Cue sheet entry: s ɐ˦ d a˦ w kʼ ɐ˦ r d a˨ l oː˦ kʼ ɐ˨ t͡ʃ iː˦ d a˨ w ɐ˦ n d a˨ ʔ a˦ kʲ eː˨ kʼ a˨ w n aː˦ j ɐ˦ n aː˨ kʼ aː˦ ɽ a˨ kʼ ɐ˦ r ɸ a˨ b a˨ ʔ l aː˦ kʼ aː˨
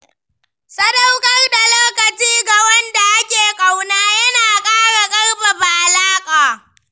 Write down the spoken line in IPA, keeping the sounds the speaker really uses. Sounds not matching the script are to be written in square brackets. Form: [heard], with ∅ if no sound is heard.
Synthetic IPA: s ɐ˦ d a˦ w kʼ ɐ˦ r d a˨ l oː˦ [k] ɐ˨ t͡ʃ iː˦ [ɡ] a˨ w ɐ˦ n d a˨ ʔ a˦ kʲ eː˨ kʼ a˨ w n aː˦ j ɐ˦ n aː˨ kʼ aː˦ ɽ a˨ kʼ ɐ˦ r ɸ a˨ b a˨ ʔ l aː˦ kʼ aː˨

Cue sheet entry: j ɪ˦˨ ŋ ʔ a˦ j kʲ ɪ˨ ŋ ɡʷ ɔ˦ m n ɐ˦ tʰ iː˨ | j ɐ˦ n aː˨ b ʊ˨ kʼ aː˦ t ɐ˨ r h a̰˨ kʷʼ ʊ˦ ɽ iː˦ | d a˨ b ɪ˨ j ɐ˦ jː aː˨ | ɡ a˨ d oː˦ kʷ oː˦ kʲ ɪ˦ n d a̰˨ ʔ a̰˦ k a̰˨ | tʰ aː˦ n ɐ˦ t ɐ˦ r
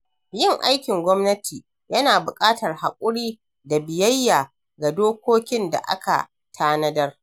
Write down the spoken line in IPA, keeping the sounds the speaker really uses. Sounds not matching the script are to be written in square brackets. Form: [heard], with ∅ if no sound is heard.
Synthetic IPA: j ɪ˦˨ ŋ ʔ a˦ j kʲ ɪ˨ ŋ ɡʷ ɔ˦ m n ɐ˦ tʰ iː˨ | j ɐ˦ n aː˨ b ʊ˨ kʼ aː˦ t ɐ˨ r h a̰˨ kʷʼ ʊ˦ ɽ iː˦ | d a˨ b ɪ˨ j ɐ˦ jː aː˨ | ɡ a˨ d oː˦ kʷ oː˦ kʲ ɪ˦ n d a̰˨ ʔ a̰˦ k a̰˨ | tʰ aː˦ n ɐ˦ [d] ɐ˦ r

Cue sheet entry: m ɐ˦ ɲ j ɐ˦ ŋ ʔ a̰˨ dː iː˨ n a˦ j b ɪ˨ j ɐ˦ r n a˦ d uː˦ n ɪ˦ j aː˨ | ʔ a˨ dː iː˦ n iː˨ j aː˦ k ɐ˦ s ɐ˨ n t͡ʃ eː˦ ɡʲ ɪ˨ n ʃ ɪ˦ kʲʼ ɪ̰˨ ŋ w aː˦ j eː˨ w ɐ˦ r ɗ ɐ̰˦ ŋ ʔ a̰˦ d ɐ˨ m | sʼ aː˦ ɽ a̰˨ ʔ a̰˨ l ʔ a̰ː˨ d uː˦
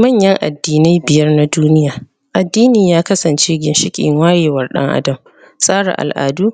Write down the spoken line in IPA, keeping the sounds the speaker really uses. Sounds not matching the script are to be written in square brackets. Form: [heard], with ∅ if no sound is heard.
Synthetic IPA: m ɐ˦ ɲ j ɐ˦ ŋ ʔ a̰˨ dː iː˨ n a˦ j b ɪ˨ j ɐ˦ r n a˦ d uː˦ n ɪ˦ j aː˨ | ʔ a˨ dː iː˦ n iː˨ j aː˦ k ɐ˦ s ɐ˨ n t͡ʃ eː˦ ɡʲ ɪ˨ n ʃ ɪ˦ kʲʼ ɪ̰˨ ŋ w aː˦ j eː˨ w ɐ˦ r ɗ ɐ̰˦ ŋ ʔ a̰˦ d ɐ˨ m | sʼ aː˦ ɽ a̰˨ ʔ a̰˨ l ʔ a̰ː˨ d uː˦

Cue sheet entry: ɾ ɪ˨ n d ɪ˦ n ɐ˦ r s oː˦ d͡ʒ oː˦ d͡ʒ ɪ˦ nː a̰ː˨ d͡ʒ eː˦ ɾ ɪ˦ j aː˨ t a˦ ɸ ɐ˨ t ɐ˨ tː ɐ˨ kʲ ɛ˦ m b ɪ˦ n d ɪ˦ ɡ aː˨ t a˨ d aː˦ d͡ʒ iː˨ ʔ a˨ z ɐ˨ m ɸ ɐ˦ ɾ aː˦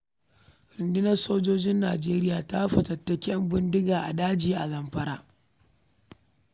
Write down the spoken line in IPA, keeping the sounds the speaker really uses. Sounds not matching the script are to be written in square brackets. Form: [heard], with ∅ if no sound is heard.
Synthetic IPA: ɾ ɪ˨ n d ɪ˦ n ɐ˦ r s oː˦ d͡ʒ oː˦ d͡ʒ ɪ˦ nː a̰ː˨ d͡ʒ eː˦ ɾ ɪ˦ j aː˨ t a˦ ɸ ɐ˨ t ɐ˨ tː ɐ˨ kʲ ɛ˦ m b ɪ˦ n d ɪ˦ ɡ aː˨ [ʔ] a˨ d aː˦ d͡ʒ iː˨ ʔ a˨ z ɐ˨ m ɸ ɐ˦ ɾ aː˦

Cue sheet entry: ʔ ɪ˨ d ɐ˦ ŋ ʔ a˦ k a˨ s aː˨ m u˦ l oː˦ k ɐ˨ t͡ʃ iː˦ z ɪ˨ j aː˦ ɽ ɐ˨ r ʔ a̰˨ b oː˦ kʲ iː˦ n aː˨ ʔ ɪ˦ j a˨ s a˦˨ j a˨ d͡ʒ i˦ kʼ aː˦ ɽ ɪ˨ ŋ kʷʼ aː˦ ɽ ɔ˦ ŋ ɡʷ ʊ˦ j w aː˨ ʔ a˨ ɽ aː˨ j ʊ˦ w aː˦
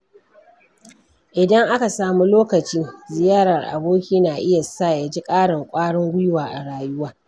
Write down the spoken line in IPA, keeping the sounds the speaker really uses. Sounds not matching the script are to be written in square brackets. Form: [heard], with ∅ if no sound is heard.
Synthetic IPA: ʔ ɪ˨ d ɐ˦ ŋ ʔ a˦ k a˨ s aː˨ m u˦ l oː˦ k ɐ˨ t͡ʃ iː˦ z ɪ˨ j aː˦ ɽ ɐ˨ r ʔ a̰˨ b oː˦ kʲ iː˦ n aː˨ ʔ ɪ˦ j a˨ s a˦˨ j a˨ d͡ʒ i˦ kʼ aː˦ ɽ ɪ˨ ŋ kʷʼ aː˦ ɽ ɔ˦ ŋ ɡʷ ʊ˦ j w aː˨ ʔ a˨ ɽ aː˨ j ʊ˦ w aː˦

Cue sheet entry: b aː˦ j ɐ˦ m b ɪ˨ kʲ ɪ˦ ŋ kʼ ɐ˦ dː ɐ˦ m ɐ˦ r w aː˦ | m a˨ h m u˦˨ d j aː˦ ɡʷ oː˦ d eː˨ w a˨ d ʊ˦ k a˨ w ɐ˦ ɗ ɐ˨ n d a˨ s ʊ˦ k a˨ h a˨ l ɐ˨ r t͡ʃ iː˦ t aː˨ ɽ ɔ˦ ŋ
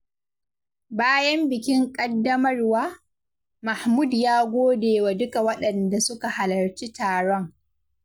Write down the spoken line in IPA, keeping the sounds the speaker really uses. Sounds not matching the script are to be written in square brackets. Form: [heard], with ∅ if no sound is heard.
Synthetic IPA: b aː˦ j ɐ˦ m b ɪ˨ kʲ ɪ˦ ŋ kʼ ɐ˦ dː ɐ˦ m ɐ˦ r w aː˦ | m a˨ h m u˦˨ d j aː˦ ɡʷ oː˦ d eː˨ w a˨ d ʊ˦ k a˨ w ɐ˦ ɗ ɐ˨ n d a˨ s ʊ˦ k a˨ h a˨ l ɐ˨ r t͡ʃ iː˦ t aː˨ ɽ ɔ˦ ŋ

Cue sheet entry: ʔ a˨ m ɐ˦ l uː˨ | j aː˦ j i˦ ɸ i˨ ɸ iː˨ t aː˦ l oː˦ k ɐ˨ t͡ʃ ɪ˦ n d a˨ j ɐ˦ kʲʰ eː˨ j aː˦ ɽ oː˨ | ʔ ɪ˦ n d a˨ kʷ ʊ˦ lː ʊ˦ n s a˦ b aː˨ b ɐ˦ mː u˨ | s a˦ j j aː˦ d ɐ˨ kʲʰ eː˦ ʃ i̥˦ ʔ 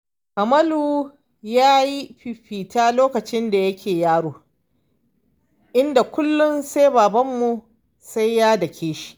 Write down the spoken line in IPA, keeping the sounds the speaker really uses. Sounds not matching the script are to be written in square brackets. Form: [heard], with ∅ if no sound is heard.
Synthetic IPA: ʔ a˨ m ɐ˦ l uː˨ | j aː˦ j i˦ ɸ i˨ ɸ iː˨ t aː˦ l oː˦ k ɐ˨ t͡ʃ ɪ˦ n d a˨ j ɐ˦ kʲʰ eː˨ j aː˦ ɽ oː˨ | ʔ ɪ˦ n d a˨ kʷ ʊ˦ lː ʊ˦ n s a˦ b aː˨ b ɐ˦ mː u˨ | s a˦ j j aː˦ d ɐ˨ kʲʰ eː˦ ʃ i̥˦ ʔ

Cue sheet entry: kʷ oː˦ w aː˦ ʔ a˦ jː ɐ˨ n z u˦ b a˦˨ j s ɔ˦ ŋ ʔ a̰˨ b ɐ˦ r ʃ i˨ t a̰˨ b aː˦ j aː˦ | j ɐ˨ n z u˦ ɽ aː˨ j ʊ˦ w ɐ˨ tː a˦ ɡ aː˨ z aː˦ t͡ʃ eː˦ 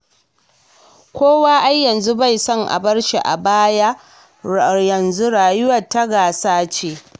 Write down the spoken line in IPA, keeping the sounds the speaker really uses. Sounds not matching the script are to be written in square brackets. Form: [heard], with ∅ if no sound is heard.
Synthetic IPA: kʷ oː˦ w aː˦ ʔ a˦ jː ɐ˨ n z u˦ b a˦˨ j s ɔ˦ ŋ ʔ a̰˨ b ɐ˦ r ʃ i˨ [ʔ] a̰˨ b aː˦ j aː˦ | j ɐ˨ n z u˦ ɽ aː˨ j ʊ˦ w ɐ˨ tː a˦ ɡ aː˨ [s] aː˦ t͡ʃ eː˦

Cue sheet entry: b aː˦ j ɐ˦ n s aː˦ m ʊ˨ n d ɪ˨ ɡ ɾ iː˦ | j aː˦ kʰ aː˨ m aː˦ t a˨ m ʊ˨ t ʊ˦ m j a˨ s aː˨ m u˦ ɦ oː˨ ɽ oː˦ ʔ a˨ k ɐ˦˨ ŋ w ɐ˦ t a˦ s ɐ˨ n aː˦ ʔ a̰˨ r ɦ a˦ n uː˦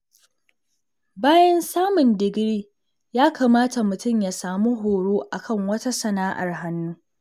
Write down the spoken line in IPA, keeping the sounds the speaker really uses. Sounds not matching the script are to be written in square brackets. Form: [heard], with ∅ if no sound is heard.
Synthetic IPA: b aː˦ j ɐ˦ n s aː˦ m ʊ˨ n d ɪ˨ ɡ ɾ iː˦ | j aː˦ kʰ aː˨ m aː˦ t a˨ m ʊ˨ t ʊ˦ m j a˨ s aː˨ m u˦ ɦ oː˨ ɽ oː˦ ʔ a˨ k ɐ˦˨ ŋ w ɐ˦ t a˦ s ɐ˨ n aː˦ ʔ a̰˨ r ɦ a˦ [nː] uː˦

